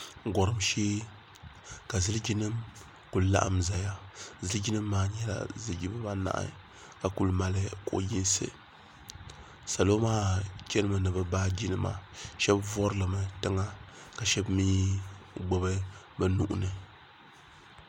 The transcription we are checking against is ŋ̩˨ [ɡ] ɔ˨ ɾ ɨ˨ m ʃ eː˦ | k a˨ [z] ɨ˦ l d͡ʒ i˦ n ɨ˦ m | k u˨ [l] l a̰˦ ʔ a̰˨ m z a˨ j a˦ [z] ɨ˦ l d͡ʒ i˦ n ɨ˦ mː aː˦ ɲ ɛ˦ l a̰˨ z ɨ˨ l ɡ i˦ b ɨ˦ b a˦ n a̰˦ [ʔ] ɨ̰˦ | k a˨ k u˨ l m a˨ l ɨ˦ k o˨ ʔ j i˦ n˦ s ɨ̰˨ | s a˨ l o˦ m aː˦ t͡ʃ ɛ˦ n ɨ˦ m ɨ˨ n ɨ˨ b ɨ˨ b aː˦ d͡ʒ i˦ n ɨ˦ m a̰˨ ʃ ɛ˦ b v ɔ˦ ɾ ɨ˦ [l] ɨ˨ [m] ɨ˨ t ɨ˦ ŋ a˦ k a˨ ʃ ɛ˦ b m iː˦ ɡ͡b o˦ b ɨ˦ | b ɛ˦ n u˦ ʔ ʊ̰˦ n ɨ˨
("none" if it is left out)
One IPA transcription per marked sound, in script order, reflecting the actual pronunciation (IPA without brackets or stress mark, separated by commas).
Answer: ɡ, z, l, z, ʔ, l, m